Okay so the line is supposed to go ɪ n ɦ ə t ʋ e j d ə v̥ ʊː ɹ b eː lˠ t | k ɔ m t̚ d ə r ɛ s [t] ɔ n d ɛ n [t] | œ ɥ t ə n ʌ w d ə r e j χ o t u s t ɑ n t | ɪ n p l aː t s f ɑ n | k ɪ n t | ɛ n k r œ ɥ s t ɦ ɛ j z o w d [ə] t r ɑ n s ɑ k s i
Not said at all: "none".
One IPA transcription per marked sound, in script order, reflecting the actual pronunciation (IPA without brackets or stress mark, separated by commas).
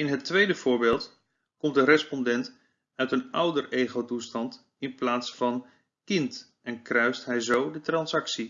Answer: p, t, ə